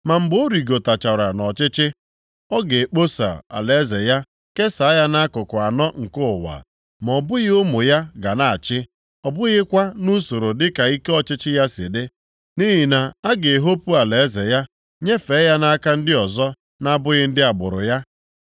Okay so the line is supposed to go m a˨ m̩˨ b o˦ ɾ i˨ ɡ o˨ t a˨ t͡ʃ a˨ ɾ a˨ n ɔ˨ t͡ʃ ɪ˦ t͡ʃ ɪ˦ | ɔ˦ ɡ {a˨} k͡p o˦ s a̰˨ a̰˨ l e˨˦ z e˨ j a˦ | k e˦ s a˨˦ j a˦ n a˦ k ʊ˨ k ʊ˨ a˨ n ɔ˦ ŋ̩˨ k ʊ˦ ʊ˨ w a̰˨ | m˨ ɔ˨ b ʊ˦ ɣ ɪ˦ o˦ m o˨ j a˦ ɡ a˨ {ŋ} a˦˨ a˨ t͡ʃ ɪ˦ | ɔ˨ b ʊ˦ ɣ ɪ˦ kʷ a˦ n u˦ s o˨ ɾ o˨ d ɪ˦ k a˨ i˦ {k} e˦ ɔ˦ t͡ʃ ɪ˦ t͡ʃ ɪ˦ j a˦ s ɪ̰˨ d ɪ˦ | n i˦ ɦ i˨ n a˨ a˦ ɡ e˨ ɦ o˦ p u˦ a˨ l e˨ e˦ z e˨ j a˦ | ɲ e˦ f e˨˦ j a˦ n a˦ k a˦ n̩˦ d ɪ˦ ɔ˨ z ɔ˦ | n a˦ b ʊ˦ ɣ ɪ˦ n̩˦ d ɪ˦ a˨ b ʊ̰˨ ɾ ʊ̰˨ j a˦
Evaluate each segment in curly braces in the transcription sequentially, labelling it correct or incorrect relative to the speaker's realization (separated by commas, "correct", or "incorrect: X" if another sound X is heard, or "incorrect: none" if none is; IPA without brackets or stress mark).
incorrect: e˨, incorrect: n, correct